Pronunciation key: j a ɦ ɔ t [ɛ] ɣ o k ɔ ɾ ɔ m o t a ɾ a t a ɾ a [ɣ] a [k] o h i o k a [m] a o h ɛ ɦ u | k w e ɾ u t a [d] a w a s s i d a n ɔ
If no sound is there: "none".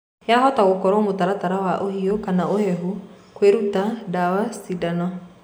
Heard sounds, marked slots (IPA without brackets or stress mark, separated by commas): a, w, ʔ, n, d